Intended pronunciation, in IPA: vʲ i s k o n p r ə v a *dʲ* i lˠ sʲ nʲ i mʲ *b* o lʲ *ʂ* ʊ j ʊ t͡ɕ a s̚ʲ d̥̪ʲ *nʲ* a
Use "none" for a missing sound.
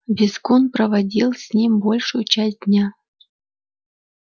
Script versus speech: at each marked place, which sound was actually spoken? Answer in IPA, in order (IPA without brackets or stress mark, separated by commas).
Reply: dʲ, b, ʂ, nʲ